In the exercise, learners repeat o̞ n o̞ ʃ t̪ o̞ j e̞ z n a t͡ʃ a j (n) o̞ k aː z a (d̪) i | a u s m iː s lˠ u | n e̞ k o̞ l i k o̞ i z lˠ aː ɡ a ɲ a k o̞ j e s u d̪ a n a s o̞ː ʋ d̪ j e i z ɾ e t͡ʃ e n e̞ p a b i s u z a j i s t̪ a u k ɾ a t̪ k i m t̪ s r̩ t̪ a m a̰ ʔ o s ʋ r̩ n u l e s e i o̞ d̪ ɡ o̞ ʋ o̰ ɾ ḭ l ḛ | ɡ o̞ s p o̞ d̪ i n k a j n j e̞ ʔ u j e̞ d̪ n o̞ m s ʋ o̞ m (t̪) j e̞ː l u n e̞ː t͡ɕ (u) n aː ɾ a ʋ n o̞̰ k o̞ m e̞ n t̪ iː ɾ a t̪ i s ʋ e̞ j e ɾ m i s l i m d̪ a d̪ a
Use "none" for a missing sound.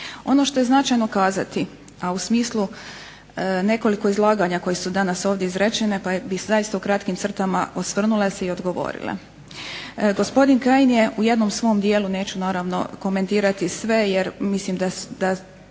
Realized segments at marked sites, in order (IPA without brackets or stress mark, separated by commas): n, t̪, d̪, u